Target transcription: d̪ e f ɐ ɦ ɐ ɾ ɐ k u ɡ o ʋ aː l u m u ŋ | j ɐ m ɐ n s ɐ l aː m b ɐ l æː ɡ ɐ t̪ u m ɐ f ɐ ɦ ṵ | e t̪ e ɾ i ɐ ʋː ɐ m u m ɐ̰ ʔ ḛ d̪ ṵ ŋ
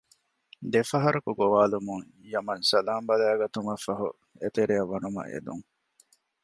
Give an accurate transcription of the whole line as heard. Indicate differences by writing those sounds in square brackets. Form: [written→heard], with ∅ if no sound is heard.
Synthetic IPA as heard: d̪ e f ɐ ɦ ɐ ɾ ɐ k u ɡ o ʋ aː l u m u ŋ | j ɐ m ɐ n s ɐ l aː m b ɐ l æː ɡ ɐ t̪ u m ɐ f ɐ ɦ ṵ | e t̪ e ɾ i ɐ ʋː ɐ [m→n] u m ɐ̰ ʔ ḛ d̪ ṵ ŋ